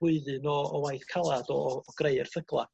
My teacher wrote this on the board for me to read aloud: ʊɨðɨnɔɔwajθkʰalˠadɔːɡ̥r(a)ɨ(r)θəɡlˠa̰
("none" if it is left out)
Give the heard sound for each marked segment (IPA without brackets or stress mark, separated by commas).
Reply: e, r